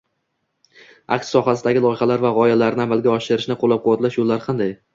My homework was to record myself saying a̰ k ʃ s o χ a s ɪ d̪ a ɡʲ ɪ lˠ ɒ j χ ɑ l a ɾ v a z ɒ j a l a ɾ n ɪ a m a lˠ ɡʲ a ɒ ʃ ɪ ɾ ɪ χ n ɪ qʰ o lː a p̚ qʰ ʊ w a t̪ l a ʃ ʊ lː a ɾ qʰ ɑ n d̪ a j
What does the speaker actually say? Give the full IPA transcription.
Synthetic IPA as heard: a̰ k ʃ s ɒ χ a s ɪ d̪ a ɡʲ ɪ lˠ ɒ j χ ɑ l a ɾ v a ʁ ɒ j a l a ɾ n ɪ a m a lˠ ɡʲ a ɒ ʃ ɪ ɾ ɪ ʃ n ɪ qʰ o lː a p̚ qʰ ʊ w a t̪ l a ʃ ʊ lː a ɾ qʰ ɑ n d̪ a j